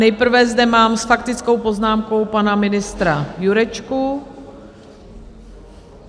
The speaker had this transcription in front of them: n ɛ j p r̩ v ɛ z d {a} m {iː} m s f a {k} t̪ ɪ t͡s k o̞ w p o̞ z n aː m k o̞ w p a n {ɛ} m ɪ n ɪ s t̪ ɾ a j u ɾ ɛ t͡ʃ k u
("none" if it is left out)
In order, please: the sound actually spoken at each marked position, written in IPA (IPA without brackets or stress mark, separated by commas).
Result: ɛ, aː, k, a